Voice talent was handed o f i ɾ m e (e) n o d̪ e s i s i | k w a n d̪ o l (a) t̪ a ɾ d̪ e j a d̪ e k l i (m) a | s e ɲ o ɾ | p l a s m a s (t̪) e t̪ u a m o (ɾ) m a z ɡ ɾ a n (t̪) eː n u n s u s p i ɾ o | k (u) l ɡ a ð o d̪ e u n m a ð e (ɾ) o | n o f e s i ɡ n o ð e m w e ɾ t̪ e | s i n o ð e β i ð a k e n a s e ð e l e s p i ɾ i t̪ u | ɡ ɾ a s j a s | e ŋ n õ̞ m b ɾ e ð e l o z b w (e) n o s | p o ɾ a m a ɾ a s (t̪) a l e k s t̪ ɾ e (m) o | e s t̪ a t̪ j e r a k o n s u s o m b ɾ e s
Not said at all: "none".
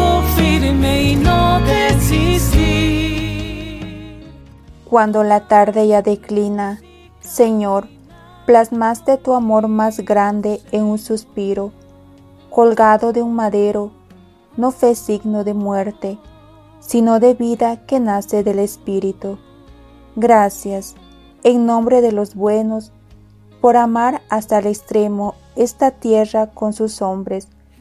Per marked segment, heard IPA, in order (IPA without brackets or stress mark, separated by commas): i, a, n, t̪, ɾ, d̪, o, ɾ, e, t̪, m